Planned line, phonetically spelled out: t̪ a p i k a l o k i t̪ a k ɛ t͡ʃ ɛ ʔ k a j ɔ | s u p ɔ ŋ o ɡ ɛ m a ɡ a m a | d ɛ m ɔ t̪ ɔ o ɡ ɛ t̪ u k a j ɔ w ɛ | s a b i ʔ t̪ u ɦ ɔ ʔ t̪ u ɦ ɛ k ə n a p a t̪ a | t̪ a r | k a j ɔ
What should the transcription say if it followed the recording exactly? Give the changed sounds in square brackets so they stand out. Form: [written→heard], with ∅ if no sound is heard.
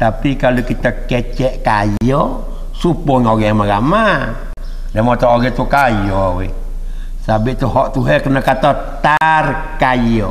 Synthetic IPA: t̪ a p i k a l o k i t̪ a k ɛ t͡ʃ ɛ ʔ k a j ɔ | s u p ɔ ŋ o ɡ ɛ m a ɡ a m a | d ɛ m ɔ t̪ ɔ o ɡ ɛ t̪ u k a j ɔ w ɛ | s a b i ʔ t̪ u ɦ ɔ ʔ t̪ u ɦ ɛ k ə n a [p→k] a t̪ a | t̪ a r | k a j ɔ